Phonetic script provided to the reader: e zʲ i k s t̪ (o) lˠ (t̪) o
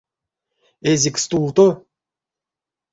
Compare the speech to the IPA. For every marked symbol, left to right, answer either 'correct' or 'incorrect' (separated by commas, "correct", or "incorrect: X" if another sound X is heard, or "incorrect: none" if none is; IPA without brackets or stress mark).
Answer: incorrect: u, correct